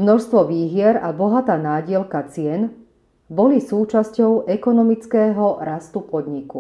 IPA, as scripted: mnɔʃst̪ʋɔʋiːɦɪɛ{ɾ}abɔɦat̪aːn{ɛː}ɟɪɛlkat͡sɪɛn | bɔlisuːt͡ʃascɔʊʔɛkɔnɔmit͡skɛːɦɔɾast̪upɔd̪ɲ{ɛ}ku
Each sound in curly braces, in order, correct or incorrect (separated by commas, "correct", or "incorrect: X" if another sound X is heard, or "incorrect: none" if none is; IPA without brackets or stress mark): correct, incorrect: aː, incorrect: i